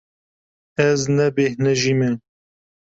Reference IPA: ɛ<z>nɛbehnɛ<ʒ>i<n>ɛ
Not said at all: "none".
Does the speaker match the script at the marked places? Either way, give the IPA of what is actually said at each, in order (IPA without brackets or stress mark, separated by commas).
z, ʒ, m